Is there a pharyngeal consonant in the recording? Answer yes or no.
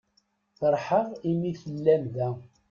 yes